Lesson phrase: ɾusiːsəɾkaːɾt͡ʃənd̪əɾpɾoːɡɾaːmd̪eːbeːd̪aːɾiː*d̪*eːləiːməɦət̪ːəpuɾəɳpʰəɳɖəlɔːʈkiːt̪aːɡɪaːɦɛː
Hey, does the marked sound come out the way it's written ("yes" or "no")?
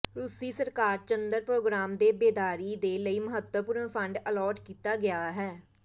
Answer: yes